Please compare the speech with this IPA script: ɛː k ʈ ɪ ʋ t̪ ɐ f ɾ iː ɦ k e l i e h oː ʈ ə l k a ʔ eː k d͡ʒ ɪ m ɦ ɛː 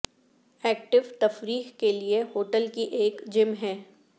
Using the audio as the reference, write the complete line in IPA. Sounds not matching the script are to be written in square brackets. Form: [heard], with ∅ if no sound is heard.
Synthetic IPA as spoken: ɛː k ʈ ɪ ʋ t̪ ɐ f ɾ iː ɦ k e l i e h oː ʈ ə l k [i] ʔ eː k d͡ʒ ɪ m ɦ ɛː